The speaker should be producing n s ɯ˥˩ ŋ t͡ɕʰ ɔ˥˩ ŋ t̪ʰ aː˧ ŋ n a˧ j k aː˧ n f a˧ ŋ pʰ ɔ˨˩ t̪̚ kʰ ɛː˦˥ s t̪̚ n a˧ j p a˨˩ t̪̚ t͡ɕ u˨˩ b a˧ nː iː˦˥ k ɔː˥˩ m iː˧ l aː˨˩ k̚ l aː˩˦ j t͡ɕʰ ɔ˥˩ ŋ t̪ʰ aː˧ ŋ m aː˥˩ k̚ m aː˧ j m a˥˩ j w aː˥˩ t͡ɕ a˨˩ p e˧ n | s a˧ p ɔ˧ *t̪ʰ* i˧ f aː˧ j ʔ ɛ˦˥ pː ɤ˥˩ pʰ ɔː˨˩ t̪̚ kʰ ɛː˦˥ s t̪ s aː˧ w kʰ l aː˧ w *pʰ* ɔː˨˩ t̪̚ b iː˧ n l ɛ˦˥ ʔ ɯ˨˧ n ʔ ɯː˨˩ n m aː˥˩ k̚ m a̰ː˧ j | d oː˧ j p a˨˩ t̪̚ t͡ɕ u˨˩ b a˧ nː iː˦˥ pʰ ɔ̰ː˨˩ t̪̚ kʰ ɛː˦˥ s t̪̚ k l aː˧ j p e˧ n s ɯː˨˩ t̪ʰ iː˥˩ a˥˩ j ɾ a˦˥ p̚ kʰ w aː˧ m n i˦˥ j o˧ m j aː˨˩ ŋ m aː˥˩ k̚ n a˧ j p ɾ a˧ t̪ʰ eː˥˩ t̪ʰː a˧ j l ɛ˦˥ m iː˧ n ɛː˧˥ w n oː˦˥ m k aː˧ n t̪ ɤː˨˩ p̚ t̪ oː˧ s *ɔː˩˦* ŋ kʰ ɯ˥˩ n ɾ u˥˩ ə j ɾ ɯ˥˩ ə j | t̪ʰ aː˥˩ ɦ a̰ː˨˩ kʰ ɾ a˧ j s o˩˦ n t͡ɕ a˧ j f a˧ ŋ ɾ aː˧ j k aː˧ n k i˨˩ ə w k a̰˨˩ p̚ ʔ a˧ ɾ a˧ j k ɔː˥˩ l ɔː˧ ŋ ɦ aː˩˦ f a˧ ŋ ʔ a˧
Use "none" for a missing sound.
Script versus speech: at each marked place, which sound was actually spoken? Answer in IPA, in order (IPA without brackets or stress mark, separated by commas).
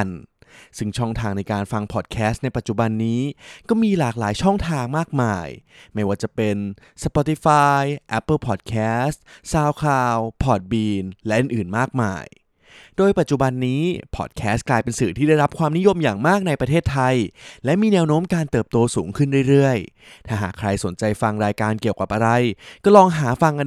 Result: t̪, pʰ, uː˩˦